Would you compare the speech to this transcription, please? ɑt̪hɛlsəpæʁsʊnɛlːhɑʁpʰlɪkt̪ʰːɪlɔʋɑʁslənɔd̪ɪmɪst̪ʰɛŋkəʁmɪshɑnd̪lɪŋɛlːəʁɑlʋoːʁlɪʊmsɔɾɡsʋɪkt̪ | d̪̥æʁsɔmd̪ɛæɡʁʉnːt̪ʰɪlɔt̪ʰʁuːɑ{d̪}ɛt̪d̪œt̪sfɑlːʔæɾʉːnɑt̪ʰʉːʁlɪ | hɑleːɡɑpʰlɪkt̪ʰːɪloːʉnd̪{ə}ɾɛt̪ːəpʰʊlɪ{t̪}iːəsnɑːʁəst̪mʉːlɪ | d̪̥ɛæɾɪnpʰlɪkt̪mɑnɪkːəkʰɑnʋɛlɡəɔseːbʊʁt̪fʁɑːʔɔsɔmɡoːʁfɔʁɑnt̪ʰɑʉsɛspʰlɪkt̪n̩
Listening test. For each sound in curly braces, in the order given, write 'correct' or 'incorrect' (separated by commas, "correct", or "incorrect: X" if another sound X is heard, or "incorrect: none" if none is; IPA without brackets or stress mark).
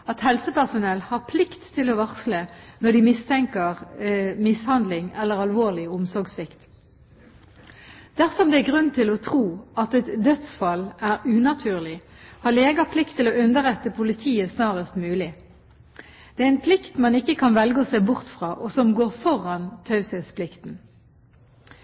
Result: incorrect: t̪, correct, incorrect: t̪ʰ